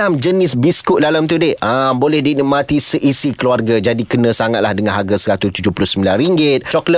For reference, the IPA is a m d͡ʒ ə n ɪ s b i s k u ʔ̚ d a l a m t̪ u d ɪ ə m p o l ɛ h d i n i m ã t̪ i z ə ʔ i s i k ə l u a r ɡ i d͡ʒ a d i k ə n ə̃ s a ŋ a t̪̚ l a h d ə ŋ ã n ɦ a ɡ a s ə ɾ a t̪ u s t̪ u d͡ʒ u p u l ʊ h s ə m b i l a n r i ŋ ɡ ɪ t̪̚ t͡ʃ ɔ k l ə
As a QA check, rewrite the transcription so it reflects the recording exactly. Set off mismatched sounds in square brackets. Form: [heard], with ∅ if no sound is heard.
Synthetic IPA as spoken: a m d͡ʒ ə n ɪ s b i s k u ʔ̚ d a l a m t̪ u d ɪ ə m [b] o l ɛ h d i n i m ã t̪ i [s] ə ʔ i s i k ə l u a r ɡ [a] d͡ʒ a d i k ə n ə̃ s a ŋ a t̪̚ l a h d ə ŋ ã n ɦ a ɡ a s ə ɾ a t̪ u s t̪ u d͡ʒ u p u l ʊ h s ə m b i l a n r i ŋ ɡ ɪ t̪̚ t͡ʃ ɔ k l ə